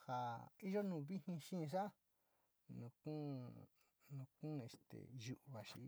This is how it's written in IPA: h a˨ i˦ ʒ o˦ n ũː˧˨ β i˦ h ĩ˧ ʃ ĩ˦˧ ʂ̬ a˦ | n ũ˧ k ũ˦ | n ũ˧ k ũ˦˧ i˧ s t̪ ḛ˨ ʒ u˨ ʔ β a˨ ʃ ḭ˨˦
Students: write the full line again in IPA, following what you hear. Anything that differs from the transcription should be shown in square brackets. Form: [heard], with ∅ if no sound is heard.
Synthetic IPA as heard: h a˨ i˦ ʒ o˦ n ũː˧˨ β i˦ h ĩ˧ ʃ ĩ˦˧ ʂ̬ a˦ | n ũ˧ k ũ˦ | n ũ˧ k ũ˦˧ [e˧] s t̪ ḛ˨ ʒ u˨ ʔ β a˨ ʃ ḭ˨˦